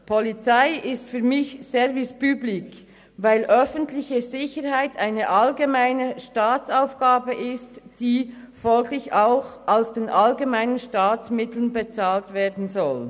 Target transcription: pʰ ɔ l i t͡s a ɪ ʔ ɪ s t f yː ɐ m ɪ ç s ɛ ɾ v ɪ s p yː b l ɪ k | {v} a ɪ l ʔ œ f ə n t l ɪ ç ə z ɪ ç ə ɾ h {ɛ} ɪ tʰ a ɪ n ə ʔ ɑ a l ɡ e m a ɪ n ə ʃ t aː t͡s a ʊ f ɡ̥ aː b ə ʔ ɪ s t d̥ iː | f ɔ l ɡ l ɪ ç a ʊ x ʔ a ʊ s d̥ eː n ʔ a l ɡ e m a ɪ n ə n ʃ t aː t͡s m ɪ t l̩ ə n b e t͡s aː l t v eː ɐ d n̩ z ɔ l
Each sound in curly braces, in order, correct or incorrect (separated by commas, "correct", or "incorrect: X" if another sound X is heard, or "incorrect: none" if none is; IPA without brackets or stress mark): correct, incorrect: a